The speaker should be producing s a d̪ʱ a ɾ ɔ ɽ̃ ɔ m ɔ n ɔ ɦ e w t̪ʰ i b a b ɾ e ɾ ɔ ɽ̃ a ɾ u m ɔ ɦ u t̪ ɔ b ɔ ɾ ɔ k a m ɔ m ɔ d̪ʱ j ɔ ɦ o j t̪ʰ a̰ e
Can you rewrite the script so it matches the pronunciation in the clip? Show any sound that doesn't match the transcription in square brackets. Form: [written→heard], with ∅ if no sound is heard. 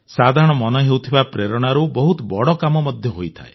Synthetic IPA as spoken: s a d̪ʱ a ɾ ɔ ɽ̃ ɔ m ɔ n ɔ ɦ e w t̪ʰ i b a [b→p] ɾ e ɾ ɔ ɽ̃ a ɾ u [m→b] ɔ ɦ u t̪ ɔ b ɔ [ɾ→ɽ] ɔ k a m ɔ m ɔ d̪ʱ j ɔ ɦ o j t̪ʰ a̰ e